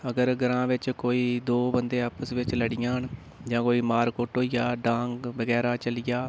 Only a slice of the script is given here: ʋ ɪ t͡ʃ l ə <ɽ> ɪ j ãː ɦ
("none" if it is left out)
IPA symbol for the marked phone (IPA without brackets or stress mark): ɽ